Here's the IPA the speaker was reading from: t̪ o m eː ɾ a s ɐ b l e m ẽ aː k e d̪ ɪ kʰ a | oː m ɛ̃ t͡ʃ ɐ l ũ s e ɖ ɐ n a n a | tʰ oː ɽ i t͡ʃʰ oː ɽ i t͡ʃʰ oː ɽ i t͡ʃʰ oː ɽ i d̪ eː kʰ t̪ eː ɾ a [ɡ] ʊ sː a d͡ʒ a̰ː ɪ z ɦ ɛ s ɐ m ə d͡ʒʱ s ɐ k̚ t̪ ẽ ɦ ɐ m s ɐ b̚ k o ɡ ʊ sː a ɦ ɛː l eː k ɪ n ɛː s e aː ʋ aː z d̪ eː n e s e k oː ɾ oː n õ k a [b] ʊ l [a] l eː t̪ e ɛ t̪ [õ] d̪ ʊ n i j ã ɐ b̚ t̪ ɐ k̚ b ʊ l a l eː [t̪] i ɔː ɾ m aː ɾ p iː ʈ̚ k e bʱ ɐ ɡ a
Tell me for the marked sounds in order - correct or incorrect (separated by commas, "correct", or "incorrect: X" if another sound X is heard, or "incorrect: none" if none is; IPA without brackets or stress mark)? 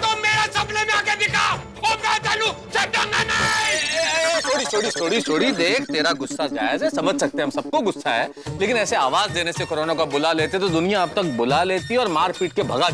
correct, correct, correct, incorrect: o, correct